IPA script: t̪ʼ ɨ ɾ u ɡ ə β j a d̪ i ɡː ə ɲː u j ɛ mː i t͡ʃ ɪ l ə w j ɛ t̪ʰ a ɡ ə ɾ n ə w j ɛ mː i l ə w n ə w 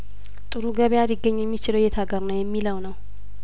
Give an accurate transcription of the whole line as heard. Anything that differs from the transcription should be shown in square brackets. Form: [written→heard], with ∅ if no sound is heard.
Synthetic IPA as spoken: t̪ʼ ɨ ɾ u ɡ ə β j a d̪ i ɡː ə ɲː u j ɛ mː i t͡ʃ ɪ l ə w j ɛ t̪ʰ a ɡ ə ɾ n ə w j ɛ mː i l ə w n ə w